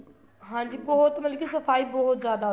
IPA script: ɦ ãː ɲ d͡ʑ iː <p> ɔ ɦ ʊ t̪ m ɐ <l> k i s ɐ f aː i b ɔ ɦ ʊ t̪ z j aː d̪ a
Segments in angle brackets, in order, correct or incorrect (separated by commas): incorrect, correct